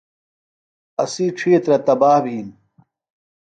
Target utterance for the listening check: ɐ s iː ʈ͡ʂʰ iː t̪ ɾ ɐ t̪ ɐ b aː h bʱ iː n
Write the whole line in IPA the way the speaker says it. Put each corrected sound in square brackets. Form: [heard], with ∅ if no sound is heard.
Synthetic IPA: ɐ s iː ʈ͡ʂʰ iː t̪ ɾ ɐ t̪ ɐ b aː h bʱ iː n

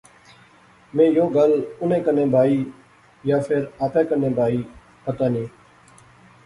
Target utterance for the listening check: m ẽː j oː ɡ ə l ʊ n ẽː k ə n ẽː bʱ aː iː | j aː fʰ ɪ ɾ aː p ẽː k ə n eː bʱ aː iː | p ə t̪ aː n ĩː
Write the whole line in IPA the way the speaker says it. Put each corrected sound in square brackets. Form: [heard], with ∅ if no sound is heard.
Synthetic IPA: m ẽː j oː ɡ ə l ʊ n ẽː k ə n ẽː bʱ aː iː | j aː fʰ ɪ ɾ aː p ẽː k ə n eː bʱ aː iː | p ə t̪ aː n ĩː

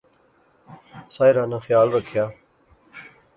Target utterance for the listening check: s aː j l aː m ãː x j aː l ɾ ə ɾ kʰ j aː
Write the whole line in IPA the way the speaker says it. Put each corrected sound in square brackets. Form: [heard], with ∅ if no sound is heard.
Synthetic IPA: s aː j [ɾ] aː [n] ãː x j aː l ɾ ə [∅] kʰ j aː

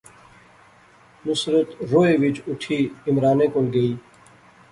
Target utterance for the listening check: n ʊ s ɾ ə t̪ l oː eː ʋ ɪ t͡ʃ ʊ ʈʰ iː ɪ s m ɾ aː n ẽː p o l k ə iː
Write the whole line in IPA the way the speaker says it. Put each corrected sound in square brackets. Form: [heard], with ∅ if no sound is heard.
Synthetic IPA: n ʊ s ɾ ə t̪ [ɾ] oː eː ʋ ɪ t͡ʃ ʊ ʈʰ iː ɪ [∅] m ɾ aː n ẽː [k] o l [ɡ] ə iː

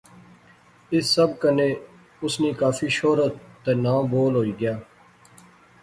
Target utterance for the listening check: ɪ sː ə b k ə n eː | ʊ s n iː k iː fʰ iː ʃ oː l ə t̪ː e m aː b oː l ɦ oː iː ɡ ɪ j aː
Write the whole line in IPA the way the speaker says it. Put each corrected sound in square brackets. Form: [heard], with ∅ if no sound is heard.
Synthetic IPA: ɪ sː ə b k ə n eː | ʊ s n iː k [aː] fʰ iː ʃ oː [ɾ] ə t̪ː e [n] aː b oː l ɦ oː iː ɡ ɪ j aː

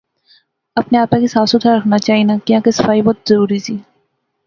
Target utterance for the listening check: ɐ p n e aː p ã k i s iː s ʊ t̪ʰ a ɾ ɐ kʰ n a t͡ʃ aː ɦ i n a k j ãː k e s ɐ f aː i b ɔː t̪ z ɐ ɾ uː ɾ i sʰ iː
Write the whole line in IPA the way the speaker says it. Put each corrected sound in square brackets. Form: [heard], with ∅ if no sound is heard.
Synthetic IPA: ɐ p n e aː p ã k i s [aː] s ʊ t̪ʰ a ɾ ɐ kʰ n a t͡ʃ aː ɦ i n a k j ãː k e s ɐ f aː i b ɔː t̪ z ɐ ɾ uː ɾ i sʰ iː

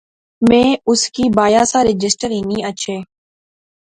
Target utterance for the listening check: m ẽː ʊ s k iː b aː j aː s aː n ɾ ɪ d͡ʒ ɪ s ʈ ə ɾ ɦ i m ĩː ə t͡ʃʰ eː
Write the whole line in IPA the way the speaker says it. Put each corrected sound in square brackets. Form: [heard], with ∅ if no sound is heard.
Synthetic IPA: m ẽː ʊ s k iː b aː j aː s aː [∅] ɾ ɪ d͡ʒ ɪ s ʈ ə ɾ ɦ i [n] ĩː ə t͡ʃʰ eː

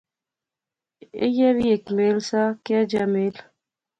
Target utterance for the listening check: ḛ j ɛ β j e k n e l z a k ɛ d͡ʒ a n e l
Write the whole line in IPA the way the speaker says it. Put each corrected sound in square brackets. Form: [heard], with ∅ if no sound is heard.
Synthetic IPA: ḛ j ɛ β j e k [m] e l [s] a k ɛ d͡ʒ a [m] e l

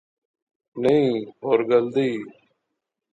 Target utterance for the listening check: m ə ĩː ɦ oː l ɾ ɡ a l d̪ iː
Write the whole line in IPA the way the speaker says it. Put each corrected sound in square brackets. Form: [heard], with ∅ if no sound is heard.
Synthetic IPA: [n] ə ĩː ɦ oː [∅] ɾ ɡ [ə] l d̪ iː

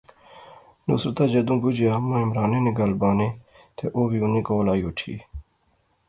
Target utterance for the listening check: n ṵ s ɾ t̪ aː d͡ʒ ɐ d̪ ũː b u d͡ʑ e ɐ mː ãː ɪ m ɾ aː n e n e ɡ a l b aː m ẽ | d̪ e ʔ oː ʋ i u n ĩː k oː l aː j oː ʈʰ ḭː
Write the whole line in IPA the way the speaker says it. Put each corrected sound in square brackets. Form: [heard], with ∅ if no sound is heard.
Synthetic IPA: n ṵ s ɾ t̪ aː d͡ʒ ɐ d̪ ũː b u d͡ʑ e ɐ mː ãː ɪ m ɾ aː n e n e ɡ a l b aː [n] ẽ | [t̪] e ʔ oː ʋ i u n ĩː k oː l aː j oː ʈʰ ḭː

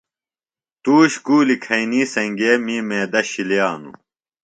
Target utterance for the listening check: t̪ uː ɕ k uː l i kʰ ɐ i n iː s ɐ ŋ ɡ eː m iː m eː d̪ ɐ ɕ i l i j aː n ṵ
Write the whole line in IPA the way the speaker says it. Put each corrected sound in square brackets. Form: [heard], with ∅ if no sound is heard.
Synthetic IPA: t̪ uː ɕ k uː l i kʰ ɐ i n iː s ɐ ŋ ɡ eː m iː m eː d̪ ɐ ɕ i l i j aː n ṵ

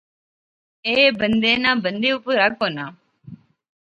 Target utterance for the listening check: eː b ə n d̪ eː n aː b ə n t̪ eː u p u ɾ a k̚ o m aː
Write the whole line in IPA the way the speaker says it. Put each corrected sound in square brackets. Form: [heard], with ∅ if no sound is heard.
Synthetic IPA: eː b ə n d̪ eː n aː b ə n [d̪] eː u p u ɾ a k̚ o [n] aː

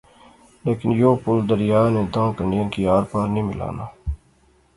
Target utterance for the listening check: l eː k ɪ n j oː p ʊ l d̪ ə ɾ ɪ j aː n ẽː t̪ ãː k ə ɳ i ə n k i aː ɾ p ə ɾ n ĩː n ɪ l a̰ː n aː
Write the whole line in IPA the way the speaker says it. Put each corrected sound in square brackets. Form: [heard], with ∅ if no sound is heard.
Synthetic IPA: l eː k ɪ n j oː p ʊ l d̪ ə ɾ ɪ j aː n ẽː [d̪] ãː k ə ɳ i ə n k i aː ɾ p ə ɾ n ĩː [m] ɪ l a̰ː n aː

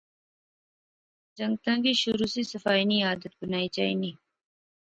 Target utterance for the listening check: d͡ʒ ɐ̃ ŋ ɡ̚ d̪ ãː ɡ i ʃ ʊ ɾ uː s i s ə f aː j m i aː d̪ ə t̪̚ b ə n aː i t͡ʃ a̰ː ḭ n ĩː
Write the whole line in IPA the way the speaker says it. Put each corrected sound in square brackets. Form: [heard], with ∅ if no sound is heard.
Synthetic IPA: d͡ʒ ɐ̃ ŋ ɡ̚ [t̪] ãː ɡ i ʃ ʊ ɾ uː s i s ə f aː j [n] i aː d̪ ə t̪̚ b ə n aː i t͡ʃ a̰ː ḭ n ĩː

